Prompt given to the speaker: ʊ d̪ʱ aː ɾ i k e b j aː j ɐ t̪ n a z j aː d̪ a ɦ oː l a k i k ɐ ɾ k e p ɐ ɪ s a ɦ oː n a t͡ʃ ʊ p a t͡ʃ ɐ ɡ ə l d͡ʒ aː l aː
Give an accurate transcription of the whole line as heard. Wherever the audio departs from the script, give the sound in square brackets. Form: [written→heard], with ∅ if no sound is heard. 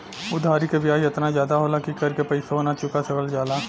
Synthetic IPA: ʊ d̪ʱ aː ɾ i k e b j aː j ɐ t̪ n a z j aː d̪ a ɦ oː l a k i k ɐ ɾ k e p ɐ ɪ s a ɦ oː n a t͡ʃ ʊ [p→k] a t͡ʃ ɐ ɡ ə l d͡ʒ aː l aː